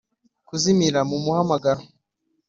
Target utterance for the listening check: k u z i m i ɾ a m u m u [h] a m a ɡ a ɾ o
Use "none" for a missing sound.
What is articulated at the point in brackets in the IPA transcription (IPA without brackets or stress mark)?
h